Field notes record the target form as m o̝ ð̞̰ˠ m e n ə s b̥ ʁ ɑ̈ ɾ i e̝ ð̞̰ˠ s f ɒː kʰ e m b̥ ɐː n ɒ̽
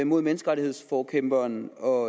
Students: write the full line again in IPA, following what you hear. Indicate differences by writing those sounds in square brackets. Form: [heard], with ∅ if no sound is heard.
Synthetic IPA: m o̝ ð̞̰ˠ m e n ə s [ɡ̥] ʁ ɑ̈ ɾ i e̝ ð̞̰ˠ s f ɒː kʰ e m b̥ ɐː n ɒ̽